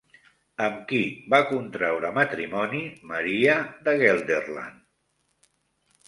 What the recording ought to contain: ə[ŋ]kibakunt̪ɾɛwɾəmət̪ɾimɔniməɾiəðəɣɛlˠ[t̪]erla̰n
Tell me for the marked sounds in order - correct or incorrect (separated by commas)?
incorrect, incorrect